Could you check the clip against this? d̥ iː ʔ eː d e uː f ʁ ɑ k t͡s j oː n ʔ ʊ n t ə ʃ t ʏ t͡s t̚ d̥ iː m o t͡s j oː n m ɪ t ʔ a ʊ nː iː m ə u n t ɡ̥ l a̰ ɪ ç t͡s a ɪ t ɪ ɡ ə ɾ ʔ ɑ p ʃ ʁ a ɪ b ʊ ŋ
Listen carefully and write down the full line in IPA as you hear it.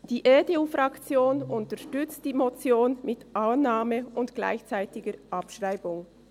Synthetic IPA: d̥ iː ʔ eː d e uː f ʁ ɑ k t͡s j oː n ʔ ʊ n t ə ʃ t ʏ t͡s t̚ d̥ iː m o t͡s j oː n m ɪ t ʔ a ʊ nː aː m ə ʊ n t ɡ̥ l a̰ ɪ ç t͡s a ɪ t ɪ ɡ ə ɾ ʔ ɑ p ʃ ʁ a ɪ b ʊ ŋ